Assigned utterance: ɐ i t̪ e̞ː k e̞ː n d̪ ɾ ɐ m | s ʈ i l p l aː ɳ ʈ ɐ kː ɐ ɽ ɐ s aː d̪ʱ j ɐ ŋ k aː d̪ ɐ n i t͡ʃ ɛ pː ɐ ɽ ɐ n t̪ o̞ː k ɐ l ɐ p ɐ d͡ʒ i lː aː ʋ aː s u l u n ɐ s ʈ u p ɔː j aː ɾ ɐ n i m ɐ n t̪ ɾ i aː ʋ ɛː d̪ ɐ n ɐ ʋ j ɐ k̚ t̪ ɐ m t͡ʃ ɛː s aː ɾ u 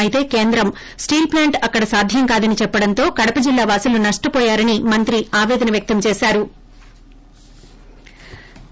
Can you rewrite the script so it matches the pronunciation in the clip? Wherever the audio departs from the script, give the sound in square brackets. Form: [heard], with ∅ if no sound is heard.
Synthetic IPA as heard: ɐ i t̪ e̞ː k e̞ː n d̪ ɾ ɐ m | s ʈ [iː] l p l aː ɳ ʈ ɐ kː ɐ ɽ ɐ s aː d̪ʱ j ɐ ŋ k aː d̪ ɐ n i t͡ʃ ɛ pː ɐ ɽ ɐ n t̪ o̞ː k ɐ [ɽ] ɐ p ɐ d͡ʒ i lː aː ʋ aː s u l u n ɐ [ʂ] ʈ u p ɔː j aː ɾ ɐ n i m ɐ n t̪ ɾ i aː ʋ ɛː d̪ ɐ n ɐ ʋ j ɐ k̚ t̪ ɐ m t͡ʃ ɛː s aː ɾ u